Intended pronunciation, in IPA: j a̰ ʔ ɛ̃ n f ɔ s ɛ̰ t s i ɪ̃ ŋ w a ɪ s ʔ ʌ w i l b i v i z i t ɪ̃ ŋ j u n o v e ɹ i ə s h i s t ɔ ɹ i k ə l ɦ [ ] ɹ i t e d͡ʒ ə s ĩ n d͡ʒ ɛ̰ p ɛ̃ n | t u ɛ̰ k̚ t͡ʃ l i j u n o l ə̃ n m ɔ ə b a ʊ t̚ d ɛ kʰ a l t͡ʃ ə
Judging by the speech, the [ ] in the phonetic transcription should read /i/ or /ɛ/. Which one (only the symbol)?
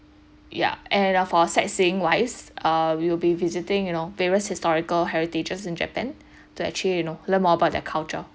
ɛ